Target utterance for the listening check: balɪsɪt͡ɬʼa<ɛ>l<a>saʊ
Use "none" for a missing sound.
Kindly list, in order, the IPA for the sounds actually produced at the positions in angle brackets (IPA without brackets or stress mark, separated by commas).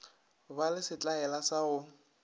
ɛ, a